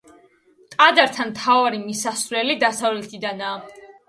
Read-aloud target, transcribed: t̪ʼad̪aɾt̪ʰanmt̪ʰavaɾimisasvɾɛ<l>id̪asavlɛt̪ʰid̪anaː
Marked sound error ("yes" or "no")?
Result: no